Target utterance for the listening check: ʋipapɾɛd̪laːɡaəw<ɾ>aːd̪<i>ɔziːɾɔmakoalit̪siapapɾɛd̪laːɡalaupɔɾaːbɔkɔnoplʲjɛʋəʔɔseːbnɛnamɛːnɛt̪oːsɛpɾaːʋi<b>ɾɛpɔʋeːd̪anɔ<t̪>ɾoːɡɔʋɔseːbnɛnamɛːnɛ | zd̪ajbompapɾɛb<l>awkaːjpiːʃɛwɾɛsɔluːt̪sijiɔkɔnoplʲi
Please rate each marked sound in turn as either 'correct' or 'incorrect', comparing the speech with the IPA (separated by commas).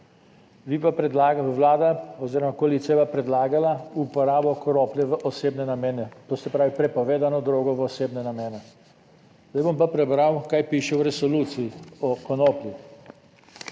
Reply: incorrect, incorrect, incorrect, incorrect, incorrect